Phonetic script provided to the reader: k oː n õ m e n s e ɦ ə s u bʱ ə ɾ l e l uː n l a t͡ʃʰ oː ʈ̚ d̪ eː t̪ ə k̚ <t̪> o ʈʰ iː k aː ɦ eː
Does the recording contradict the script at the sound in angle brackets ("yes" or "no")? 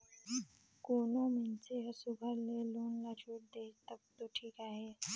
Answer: no